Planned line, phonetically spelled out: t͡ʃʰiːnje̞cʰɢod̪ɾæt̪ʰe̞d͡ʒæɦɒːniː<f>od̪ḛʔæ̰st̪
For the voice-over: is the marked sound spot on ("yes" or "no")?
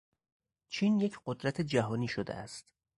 no